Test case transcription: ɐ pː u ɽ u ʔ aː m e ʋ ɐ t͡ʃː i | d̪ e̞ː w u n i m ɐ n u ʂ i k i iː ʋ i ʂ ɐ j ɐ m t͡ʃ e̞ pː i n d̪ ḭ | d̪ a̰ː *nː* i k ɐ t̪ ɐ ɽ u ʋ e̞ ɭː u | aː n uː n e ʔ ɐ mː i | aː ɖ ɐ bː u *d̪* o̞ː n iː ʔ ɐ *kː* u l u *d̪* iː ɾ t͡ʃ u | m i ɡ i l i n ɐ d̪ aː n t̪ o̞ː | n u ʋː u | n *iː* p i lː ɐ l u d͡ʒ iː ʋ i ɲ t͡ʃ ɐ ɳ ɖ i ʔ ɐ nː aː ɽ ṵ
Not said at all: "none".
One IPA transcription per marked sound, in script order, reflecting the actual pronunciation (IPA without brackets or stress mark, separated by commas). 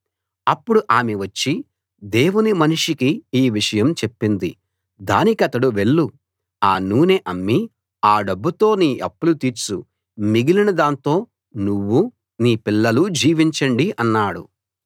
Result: n, t̪, pː, t̪, iː